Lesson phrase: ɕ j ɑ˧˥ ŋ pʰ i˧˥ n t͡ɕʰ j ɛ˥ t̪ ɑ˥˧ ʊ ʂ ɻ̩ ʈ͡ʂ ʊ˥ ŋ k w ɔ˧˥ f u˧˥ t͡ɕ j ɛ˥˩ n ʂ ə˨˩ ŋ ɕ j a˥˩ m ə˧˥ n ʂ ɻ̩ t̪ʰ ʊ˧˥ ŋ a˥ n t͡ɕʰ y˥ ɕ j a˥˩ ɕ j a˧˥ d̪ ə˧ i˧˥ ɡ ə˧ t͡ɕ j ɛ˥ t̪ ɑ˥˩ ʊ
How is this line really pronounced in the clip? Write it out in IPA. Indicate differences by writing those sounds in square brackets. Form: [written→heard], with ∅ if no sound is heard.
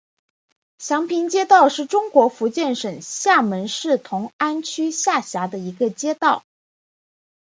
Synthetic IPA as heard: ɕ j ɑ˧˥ ŋ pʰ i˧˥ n [t͡ɕʰ→t͡ɕ] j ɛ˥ t̪ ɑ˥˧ ʊ ʂ ɻ̩ ʈ͡ʂ ʊ˥ ŋ k w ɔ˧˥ f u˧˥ t͡ɕ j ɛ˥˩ n ʂ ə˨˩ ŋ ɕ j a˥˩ m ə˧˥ n ʂ ɻ̩ t̪ʰ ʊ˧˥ ŋ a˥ n t͡ɕʰ y˥ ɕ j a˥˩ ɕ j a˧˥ d̪ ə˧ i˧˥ ɡ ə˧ t͡ɕ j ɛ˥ t̪ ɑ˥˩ ʊ